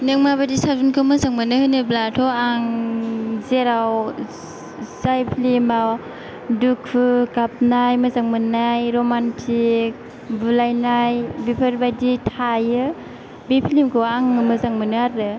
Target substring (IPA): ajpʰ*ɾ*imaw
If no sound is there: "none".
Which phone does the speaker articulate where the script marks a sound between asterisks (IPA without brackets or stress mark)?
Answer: l